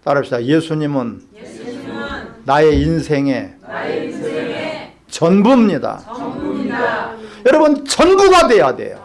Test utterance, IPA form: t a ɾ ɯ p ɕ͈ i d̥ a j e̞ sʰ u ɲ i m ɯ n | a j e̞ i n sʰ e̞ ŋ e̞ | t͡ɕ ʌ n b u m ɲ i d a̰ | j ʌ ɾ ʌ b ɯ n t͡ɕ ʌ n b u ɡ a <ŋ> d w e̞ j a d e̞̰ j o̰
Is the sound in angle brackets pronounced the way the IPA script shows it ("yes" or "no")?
no